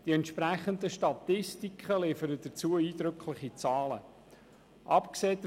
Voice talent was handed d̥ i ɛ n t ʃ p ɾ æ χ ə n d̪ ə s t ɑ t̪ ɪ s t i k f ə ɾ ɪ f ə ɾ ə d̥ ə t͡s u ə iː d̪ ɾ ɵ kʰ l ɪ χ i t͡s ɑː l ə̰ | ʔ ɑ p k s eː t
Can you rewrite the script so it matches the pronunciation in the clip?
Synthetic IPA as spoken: d̥ i ɛ n t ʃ p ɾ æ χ ə n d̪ ə ʃ t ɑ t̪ ɪ s t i k χ ə l ɪ f ə ɾ ə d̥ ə t͡s u ə iː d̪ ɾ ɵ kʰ l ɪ χ i t͡s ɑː l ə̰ | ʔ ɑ p k s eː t